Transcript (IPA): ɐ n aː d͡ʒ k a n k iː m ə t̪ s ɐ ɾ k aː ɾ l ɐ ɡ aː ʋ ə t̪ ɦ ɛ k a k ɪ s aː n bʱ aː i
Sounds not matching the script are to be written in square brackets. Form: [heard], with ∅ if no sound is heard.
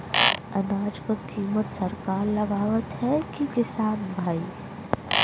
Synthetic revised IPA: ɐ n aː d͡ʒ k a [∅] k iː m ə t̪ s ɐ ɾ k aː ɾ l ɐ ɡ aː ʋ ə t̪ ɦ ɛ k [i] k ɪ s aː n bʱ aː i